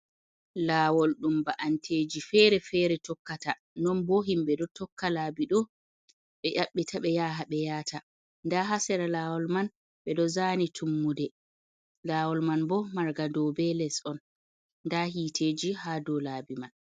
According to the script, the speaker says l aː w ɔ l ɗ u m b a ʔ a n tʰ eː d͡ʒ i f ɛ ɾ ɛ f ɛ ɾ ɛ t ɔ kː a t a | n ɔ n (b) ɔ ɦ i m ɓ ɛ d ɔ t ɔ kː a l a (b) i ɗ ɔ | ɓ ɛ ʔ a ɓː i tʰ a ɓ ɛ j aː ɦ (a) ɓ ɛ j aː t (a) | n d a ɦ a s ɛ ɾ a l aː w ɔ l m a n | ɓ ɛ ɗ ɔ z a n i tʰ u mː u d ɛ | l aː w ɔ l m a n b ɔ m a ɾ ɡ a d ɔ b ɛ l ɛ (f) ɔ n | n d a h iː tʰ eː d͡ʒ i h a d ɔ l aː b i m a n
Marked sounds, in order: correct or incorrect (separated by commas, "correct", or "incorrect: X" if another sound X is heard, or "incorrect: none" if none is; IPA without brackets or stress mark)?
correct, correct, correct, correct, incorrect: s